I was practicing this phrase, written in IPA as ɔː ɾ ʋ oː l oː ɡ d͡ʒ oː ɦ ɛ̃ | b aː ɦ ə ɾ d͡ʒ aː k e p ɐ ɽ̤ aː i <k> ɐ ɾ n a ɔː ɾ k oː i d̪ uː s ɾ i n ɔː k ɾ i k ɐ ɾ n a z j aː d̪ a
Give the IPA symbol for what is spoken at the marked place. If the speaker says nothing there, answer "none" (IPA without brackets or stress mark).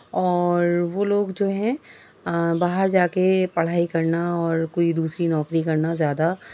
k